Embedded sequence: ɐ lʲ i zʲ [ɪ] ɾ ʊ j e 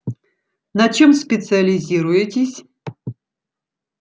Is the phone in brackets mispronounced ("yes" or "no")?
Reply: yes